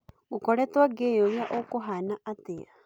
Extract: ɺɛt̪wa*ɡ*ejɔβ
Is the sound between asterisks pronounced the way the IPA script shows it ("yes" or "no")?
yes